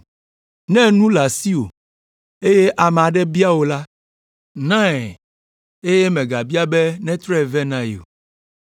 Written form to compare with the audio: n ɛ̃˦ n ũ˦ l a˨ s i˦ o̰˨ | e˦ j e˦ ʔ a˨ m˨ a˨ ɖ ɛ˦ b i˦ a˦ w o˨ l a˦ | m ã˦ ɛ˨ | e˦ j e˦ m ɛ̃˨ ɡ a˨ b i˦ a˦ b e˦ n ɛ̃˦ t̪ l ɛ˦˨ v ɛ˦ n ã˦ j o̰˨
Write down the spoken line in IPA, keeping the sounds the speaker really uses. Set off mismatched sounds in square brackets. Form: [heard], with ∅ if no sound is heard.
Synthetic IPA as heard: n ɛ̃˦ n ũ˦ l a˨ s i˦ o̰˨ | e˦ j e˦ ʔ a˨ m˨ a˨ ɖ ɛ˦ b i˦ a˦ w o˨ l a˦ | [n] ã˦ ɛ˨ | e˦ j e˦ m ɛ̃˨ ɡ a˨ b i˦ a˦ b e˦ n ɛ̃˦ t̪ [ɾ] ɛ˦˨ v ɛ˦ n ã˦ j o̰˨